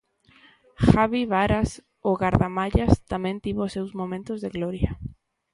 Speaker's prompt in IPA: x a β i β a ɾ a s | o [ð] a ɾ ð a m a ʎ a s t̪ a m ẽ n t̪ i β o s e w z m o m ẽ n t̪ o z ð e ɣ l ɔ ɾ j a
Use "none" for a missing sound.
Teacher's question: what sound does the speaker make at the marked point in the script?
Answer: ɣ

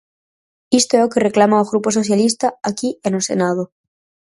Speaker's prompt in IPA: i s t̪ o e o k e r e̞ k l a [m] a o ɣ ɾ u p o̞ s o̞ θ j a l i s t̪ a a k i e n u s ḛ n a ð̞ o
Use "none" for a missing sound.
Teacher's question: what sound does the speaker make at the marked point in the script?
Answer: m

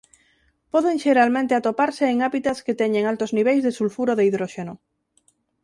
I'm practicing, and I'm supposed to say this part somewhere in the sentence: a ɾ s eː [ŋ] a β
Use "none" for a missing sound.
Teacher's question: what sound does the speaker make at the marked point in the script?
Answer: ŋ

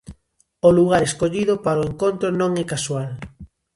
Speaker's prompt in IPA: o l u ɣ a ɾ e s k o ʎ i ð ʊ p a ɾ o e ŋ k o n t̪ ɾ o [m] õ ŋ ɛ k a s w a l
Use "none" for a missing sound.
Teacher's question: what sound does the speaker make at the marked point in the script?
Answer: n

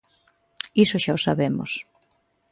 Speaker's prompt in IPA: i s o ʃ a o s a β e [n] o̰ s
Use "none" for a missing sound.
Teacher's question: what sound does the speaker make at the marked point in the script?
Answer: m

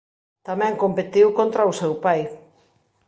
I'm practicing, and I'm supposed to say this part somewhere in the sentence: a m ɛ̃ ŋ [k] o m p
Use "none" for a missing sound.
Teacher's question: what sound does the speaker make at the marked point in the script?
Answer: k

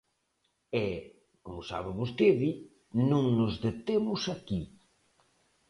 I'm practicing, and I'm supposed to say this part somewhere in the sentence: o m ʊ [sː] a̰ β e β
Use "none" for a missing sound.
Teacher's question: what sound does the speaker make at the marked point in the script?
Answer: s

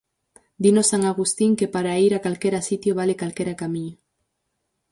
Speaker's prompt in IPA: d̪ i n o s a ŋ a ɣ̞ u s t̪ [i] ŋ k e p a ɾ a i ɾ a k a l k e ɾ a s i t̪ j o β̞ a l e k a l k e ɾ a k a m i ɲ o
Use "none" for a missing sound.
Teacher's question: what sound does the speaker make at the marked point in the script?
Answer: i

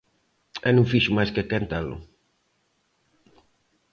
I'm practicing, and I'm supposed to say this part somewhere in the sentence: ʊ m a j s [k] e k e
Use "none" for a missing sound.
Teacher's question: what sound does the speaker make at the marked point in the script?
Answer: k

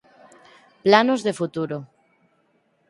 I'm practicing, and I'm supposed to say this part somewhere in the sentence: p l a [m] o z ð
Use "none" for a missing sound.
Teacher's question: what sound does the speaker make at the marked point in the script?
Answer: n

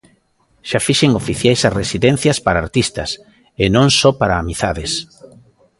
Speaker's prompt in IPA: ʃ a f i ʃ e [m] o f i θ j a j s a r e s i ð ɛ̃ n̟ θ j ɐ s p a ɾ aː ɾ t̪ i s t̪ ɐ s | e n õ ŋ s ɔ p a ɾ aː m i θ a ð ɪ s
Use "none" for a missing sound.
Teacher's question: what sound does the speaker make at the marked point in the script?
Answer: ŋ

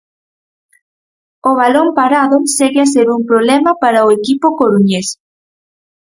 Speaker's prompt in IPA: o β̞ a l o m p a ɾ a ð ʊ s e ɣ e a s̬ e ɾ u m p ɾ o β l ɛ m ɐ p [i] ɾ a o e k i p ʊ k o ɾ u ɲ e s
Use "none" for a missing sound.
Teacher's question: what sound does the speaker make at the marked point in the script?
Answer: a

